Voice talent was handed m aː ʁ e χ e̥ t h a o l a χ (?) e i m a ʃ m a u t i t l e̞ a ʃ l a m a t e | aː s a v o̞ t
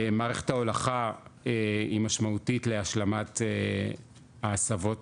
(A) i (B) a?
B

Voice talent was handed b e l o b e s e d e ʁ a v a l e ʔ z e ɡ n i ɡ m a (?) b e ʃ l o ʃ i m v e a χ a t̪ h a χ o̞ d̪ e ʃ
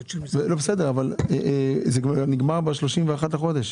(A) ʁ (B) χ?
A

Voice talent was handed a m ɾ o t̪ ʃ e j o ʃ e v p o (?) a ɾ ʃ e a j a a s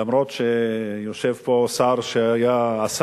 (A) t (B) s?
B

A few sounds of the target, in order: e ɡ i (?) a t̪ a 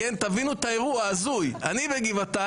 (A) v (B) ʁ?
A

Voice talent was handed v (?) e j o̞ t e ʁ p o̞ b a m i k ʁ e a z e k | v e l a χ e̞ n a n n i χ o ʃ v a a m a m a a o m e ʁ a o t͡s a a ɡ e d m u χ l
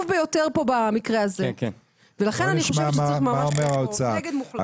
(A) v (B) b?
B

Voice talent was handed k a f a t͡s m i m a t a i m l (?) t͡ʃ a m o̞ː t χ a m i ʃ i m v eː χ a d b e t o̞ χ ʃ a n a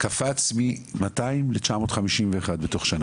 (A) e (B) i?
A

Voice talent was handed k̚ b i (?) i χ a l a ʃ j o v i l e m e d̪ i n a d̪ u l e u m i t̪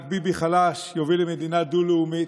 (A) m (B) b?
B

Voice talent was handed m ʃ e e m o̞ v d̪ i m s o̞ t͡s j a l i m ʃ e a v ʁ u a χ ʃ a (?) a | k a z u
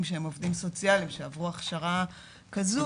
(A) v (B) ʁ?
B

